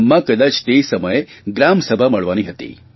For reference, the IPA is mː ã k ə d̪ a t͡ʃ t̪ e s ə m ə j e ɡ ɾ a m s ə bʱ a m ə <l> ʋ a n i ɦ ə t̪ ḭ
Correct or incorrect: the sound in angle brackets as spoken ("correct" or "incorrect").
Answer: incorrect